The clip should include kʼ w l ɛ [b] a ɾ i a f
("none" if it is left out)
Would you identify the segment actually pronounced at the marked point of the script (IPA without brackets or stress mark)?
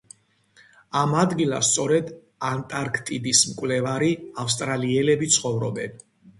v